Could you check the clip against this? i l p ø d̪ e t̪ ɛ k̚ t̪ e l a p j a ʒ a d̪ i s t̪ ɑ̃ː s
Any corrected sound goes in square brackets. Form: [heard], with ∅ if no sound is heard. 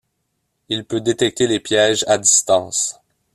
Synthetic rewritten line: i l p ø d̪ e t̪ ɛ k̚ t̪ e l [e] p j [ɛ] ʒ a d̪ i s t̪ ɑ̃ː s